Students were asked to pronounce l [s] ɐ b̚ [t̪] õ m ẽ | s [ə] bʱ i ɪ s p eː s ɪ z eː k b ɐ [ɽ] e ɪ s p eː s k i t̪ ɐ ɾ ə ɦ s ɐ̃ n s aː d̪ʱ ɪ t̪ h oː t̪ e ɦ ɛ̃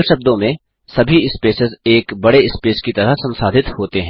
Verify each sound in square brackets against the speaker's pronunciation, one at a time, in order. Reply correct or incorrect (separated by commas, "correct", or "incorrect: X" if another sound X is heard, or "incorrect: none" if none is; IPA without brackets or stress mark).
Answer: incorrect: ʃ, incorrect: d̪, incorrect: ɐ, correct